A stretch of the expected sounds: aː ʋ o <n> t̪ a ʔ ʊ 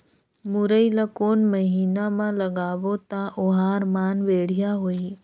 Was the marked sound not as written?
yes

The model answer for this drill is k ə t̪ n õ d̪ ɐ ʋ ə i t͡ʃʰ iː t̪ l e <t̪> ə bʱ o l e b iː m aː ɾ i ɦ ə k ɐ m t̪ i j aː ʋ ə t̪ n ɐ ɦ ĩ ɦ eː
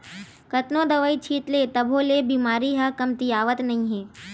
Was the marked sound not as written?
no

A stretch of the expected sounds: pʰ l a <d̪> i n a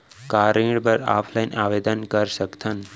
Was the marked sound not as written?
yes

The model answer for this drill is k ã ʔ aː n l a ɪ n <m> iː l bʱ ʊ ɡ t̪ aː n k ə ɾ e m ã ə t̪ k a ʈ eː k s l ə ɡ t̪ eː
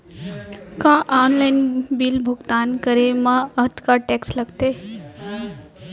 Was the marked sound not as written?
yes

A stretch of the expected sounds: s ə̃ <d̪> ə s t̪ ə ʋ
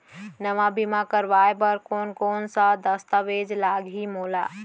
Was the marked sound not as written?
no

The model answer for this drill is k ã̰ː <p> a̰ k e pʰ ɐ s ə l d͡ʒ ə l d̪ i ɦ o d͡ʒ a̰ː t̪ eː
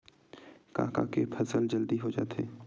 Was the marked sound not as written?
yes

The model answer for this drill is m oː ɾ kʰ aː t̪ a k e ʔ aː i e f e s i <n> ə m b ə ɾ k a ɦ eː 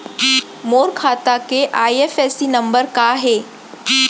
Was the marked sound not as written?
no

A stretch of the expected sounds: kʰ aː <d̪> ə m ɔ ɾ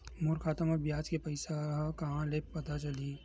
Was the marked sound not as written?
yes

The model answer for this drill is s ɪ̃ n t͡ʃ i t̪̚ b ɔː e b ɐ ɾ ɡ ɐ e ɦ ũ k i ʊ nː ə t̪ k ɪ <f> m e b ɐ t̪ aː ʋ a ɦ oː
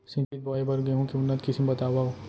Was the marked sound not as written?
yes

